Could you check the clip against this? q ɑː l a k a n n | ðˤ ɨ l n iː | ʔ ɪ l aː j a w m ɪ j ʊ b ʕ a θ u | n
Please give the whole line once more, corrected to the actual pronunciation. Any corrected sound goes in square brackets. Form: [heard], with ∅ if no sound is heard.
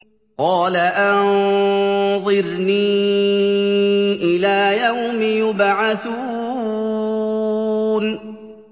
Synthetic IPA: q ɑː l a [ʔ] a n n | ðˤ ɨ [ɾ] n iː | ʔ ɪ l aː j a w m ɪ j ʊ b ʕ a θ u | n